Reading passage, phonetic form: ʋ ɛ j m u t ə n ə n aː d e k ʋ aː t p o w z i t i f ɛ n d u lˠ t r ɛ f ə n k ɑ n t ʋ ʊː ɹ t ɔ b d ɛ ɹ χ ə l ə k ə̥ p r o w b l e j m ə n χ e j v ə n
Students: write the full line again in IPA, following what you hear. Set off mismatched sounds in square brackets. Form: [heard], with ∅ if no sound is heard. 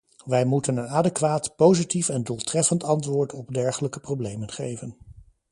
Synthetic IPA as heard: ʋ ɛ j m u t ə n ə n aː d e k ʋ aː t p o w z i t i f ɛ n d u lˠ t r ɛ f ə n [t] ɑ n t ʋ ʊː ɹ t ɔ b d ɛ ɹ χ ə l ə k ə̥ p r o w b l e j m ə n χ e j v ə n

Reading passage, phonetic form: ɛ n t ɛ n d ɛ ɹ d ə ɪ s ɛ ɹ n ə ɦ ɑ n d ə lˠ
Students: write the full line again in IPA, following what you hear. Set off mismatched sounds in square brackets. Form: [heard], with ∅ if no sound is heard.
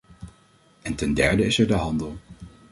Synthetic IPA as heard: ɛ n t ɛ n d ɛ ɹ d ə ɪ s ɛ ɹ [d] ə ɦ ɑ n d ə lˠ

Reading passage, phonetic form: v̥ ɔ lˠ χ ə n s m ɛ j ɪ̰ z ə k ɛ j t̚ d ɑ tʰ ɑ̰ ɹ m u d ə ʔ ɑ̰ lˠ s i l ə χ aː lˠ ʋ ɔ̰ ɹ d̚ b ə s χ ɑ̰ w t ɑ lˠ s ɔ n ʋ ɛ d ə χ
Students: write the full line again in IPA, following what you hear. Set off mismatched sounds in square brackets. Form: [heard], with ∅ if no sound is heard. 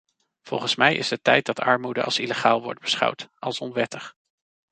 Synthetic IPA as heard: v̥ ɔ lˠ χ ə n s m ɛ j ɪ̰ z ə [t] ɛ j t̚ d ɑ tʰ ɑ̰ ɹ m u d ə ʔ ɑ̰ lˠ s i l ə χ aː lˠ ʋ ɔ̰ ɹ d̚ b ə s χ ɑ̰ w t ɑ lˠ s ɔ n ʋ ɛ [t] ə χ

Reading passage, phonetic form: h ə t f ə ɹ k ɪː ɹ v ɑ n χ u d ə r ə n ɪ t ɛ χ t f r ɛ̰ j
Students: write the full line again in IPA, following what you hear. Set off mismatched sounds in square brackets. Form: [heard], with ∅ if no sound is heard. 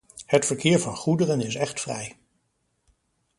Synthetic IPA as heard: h ə t f ə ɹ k ɪː ɹ v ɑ n χ u d ə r ə n ɪ [s] ɛ χ t f r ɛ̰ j

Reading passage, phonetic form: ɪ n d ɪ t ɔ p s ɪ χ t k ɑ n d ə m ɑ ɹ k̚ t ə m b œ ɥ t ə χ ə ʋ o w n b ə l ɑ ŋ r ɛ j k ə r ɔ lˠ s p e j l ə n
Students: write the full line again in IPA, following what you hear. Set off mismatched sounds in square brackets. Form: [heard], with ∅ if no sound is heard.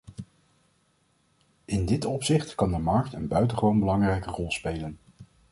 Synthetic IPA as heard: ɪ n d ɪ t ɔ p s ɪ χ t k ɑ n d ə m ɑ ɹ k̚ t ə [n] b œ ɥ t ə χ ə ʋ o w n b ə l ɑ ŋ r ɛ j k ə r ɔ lˠ s p e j l ə n

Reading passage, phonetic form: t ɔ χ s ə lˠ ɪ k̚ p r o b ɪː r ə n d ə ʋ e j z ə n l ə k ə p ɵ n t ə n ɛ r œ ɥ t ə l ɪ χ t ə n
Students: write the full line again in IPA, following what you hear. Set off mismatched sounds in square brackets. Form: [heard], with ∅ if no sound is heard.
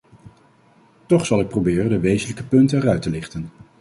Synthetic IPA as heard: t ɔ χ s [ɑ] lˠ ɪ k̚ p r o b ɪː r ə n d ə ʋ e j z ə n l ə k ə p ɵ n t ə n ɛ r œ ɥ t ə l ɪ χ t ə n

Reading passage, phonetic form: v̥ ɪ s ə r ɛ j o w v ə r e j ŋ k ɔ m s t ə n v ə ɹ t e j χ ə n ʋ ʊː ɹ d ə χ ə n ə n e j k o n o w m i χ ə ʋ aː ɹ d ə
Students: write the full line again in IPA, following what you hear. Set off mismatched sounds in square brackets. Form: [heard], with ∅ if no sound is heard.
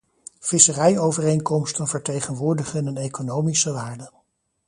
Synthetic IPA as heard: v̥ ɪ s ə r ɛ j o w v ə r e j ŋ k ɔ m s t ə n v ə ɹ t e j χ ə n ʋ ʊː ɹ d ə χ ə n ə n e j k o n o w m i [s] ə ʋ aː ɹ d ə

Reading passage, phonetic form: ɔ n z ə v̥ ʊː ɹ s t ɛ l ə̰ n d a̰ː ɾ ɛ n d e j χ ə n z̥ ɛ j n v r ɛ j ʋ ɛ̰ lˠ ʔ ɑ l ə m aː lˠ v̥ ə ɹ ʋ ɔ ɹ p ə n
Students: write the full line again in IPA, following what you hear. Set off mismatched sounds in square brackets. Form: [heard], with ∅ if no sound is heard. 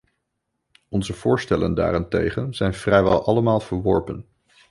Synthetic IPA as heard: ɔ n z ə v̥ ʊː ɹ s t ɛ l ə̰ n d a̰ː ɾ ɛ n [t] e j χ ə n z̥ ɛ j n v r ɛ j ʋ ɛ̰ lˠ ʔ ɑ l ə m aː lˠ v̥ ə ɹ ʋ ɔ ɹ p ə n

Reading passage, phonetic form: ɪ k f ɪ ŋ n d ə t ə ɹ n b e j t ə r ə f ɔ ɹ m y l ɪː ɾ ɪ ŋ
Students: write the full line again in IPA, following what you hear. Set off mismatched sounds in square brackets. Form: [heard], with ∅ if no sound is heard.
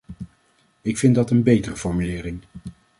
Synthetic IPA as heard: ɪ k f ɪ [∅] n d [ɑ] t ə [∅] n b e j t ə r ə f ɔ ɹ m y l ɪː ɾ ɪ ŋ

